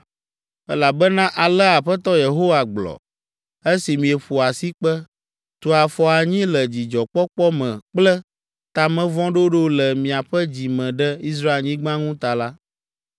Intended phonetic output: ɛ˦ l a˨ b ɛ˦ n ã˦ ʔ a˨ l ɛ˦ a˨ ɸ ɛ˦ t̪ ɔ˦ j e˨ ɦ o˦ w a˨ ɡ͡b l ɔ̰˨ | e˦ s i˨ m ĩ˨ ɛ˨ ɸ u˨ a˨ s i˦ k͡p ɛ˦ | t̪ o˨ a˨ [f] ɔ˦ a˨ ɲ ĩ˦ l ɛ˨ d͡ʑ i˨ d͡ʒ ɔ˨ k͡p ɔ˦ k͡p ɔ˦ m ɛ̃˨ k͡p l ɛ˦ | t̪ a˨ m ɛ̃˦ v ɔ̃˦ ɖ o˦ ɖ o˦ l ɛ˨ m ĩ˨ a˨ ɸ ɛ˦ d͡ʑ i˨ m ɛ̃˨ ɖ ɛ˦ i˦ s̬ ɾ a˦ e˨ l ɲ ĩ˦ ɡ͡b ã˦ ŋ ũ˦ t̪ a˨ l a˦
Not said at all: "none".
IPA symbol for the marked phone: f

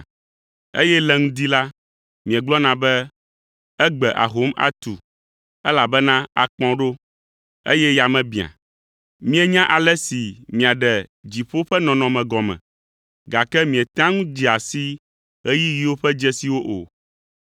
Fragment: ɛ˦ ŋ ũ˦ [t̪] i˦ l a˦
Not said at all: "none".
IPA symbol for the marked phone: d̪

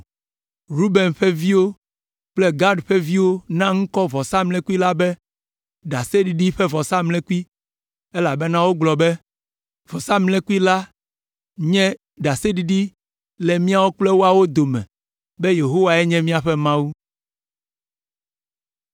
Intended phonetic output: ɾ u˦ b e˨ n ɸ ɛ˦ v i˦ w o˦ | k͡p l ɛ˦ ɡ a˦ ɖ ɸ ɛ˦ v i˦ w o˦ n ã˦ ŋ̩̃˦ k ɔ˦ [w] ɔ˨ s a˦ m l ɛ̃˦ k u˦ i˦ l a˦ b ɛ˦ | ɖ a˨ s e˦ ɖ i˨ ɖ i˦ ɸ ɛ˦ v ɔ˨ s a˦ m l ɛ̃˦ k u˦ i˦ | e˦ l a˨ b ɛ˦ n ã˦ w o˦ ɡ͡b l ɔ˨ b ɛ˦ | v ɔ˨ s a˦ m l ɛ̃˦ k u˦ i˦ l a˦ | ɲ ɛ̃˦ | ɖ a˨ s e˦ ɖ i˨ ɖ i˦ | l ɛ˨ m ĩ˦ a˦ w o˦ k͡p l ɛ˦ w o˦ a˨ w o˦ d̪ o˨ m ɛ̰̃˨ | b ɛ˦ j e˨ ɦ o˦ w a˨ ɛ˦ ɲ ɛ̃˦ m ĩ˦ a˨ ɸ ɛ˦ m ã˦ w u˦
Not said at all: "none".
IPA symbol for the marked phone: v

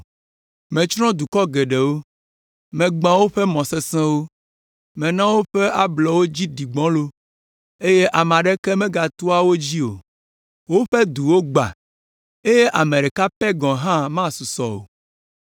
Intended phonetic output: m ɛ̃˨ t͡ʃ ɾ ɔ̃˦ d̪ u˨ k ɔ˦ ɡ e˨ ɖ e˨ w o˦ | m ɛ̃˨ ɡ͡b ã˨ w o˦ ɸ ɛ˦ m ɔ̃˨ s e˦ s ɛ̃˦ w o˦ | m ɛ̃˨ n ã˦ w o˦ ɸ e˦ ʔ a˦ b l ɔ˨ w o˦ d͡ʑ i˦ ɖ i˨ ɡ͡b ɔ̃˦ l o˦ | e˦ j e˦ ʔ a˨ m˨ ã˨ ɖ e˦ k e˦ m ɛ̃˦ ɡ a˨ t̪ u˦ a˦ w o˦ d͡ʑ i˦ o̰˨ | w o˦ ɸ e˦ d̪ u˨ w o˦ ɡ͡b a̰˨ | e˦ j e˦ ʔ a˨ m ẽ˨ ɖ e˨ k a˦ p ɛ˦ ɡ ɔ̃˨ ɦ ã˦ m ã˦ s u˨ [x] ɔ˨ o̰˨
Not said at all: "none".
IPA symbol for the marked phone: s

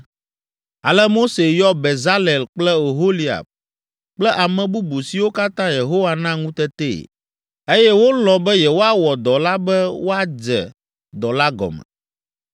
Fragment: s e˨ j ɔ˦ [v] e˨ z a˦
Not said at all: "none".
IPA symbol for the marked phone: b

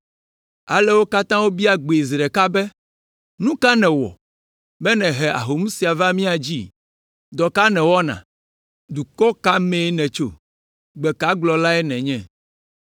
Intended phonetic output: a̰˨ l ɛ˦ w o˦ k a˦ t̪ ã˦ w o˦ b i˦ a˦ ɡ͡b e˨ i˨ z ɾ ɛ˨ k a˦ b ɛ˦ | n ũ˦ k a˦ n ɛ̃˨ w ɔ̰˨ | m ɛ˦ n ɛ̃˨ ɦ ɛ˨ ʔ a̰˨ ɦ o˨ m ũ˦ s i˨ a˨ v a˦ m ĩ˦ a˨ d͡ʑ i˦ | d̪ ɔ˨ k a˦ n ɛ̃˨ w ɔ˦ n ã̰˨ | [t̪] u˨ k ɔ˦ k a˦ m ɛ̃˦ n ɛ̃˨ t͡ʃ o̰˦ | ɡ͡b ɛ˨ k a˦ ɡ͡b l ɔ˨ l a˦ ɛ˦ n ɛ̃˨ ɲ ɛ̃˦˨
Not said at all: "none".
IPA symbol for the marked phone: d̪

